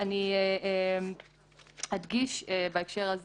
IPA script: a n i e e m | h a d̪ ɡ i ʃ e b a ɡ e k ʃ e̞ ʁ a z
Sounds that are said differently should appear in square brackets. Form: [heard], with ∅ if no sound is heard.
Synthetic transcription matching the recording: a n i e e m | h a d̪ ɡ i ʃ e b a [∅] e k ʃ e̞ ʁ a z